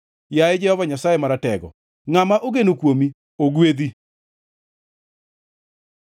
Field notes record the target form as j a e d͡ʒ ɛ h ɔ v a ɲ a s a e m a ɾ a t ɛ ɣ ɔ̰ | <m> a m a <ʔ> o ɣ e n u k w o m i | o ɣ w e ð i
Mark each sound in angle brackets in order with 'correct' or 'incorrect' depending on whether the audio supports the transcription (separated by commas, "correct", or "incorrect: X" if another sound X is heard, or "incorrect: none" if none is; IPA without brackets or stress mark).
incorrect: ŋ, correct